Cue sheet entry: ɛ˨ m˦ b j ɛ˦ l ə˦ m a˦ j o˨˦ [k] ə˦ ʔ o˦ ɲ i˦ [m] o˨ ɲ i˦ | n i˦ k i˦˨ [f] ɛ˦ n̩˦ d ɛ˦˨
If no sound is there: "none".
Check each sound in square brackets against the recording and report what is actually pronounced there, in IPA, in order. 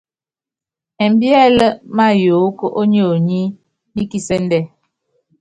k, none, s

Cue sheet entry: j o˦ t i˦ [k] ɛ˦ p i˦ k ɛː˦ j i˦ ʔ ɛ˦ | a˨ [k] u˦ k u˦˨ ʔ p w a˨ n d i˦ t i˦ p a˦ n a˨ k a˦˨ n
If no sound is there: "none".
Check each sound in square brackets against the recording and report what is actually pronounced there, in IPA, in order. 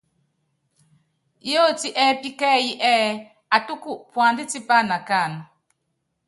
ʔ, t

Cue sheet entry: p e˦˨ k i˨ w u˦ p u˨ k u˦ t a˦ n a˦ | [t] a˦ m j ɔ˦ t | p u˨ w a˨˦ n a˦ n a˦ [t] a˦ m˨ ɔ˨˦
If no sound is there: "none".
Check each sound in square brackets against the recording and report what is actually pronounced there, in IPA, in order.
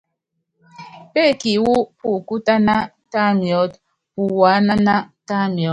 t, t

